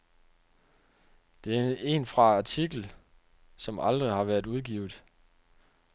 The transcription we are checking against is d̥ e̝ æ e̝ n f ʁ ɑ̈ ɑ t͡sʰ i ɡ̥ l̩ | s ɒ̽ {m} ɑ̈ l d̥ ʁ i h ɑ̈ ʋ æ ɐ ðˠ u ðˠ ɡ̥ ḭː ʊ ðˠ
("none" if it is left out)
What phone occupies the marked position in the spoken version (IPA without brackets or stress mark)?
m